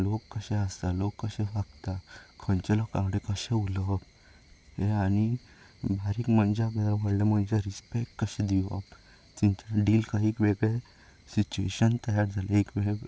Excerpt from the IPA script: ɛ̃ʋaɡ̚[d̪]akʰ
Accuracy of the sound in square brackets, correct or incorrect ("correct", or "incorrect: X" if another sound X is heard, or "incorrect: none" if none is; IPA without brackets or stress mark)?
incorrect: t̪